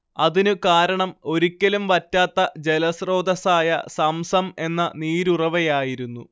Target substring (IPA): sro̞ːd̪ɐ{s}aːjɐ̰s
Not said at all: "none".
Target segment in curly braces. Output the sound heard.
s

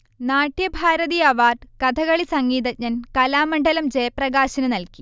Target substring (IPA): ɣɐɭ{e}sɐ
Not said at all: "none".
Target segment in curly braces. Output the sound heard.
i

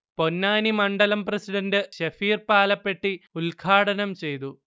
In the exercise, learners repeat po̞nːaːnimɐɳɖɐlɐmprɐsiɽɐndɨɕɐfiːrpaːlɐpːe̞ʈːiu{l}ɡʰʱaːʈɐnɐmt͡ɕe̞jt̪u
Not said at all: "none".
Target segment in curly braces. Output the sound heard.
l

